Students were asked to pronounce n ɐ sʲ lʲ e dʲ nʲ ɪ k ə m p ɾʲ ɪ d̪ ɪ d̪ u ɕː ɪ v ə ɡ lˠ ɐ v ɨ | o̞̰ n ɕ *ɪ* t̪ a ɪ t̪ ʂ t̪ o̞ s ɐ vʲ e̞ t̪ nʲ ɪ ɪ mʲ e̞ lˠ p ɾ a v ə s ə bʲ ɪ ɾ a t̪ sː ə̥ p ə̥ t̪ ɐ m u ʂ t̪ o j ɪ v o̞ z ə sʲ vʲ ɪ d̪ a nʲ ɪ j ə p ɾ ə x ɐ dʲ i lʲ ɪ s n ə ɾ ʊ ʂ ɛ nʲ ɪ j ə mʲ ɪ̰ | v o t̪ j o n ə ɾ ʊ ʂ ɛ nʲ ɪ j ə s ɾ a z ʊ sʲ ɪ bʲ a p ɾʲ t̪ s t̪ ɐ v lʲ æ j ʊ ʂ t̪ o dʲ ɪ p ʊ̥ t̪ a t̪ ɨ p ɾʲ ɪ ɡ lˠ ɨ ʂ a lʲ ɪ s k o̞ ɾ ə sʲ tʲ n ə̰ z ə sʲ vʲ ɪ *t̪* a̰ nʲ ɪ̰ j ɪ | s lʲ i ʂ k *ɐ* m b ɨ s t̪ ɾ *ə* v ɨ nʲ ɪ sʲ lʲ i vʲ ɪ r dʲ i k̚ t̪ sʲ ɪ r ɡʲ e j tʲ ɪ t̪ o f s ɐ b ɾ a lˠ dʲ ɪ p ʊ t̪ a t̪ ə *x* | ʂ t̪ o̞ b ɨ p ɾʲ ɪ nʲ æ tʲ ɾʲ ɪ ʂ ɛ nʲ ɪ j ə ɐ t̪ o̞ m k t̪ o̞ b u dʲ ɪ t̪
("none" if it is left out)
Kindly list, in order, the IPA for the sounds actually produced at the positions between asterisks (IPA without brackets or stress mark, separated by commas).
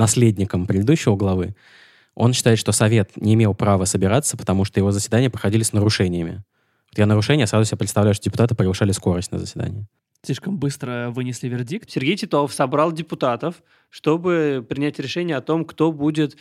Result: ɪ, d̪, ə, ə, f